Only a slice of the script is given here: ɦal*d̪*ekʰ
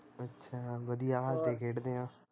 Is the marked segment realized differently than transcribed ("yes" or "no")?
yes